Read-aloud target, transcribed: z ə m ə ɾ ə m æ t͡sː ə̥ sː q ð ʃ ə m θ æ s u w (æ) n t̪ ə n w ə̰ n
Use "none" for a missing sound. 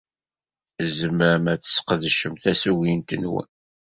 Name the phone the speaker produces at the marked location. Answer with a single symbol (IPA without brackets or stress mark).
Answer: i